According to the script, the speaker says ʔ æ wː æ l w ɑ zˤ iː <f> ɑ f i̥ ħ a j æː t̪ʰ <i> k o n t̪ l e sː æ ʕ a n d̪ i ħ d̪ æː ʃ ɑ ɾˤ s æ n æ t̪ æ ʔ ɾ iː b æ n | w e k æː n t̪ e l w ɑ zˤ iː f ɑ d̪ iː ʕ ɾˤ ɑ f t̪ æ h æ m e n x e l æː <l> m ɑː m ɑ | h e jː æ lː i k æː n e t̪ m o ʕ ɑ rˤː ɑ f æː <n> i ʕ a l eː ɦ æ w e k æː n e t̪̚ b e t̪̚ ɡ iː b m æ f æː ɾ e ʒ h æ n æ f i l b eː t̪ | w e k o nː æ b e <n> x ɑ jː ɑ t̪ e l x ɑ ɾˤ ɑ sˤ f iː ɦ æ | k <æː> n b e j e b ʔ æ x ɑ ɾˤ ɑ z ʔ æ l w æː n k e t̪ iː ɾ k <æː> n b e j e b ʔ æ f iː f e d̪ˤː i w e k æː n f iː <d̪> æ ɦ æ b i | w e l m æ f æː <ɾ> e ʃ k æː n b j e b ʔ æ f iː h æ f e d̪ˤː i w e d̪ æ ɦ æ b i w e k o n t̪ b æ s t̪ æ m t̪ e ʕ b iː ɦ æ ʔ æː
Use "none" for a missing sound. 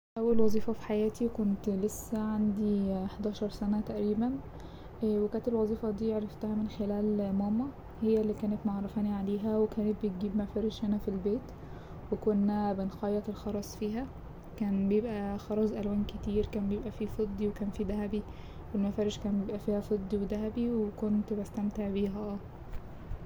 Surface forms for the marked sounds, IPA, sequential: f, i, l, n, n, æː, æː, d̪, ɾ

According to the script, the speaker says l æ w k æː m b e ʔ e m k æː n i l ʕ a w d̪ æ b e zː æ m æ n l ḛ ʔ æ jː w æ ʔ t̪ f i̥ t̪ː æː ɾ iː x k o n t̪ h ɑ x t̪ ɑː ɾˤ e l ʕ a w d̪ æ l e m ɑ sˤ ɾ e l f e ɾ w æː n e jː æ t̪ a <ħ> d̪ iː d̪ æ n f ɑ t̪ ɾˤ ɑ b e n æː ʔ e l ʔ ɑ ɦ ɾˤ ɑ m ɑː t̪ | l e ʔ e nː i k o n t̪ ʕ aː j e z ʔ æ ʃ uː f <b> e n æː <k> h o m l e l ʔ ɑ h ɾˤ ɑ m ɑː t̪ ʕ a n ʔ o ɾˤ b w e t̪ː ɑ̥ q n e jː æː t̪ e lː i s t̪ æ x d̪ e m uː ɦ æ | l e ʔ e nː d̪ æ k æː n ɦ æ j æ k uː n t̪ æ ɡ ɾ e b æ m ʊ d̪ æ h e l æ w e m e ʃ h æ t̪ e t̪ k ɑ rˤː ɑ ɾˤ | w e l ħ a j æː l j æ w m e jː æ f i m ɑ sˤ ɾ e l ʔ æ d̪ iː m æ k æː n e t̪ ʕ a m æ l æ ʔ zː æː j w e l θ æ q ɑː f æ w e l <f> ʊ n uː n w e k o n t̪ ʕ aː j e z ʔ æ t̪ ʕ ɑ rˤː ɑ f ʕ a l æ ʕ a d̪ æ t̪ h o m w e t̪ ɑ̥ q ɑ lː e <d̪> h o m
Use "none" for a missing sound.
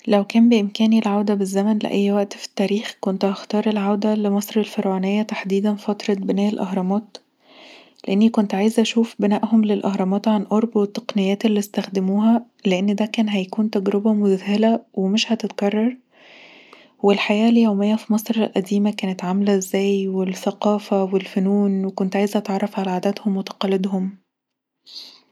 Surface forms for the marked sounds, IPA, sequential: ħ, b, ʔ, f, d̪

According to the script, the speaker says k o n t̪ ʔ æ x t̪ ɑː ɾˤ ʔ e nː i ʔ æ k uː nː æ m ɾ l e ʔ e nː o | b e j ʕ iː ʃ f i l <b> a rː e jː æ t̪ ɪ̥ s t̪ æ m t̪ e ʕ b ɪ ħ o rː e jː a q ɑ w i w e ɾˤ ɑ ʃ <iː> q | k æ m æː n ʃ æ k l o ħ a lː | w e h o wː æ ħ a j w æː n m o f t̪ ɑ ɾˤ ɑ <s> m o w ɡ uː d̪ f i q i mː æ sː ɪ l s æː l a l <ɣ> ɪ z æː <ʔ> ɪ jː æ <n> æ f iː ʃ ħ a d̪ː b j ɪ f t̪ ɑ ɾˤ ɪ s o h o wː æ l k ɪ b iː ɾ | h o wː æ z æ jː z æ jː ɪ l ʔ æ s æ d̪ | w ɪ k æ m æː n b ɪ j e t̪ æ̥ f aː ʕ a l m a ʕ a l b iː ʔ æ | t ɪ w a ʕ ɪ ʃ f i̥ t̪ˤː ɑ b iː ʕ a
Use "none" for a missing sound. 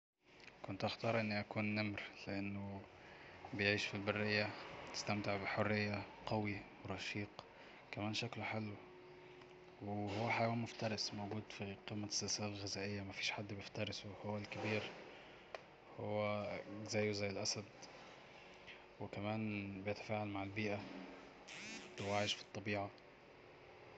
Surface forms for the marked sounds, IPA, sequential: b, iː, s, ɣ, ʔ, m

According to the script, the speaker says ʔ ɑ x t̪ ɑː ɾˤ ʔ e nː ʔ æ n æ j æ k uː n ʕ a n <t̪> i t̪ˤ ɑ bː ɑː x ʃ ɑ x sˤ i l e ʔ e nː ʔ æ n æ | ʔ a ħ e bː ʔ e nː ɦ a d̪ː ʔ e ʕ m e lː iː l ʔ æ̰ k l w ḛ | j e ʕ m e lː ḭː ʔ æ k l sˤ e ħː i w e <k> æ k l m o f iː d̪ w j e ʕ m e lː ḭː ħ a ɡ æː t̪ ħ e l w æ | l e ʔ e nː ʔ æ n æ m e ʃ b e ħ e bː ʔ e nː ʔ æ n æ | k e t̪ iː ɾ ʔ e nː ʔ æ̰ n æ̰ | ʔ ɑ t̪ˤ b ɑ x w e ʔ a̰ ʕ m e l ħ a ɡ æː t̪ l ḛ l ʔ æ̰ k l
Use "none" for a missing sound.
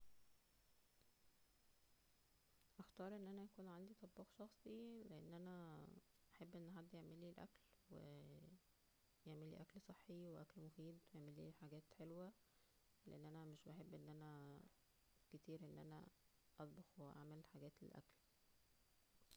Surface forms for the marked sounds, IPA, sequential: d̪, ʔ

